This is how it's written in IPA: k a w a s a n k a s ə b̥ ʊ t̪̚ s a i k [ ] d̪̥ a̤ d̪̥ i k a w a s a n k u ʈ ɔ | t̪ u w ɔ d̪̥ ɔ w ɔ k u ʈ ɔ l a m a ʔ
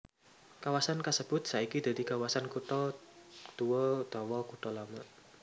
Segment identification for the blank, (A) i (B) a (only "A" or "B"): A